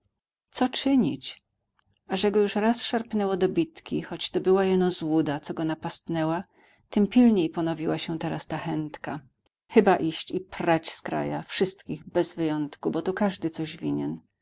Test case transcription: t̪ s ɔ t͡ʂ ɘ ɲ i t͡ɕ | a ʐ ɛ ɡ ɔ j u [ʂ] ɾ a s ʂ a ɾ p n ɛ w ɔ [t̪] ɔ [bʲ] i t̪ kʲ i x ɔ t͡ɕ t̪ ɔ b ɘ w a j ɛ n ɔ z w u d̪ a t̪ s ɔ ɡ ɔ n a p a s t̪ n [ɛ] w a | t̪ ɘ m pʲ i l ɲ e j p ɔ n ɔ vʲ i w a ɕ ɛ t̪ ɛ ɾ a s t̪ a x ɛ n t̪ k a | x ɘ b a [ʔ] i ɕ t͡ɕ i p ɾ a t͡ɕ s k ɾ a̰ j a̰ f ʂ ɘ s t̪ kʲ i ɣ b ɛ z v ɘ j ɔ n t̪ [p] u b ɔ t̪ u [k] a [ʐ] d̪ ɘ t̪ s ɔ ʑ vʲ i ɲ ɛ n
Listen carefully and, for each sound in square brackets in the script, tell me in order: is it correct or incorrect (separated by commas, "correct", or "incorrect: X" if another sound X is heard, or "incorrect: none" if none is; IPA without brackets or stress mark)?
correct, incorrect: d̪, correct, correct, correct, incorrect: k, correct, correct